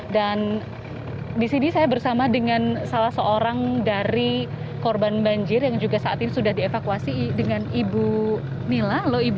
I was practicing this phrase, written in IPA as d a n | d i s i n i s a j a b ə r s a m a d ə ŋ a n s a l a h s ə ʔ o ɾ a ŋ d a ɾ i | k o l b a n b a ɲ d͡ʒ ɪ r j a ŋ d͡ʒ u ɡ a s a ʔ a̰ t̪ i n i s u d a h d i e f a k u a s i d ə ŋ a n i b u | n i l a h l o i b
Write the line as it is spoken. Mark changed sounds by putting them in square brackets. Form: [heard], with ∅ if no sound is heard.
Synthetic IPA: d a n | d i s i n i s a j a b ə r s a m a d ə ŋ a n s a l a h s ə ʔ o ɾ a ŋ d a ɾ i | k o [r] b a n b a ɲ d͡ʒ ɪ r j a ŋ d͡ʒ u ɡ a s a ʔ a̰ t̪ i n i s u d a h d i e f a k u a s i d ə ŋ a n i b u | n i l a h l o i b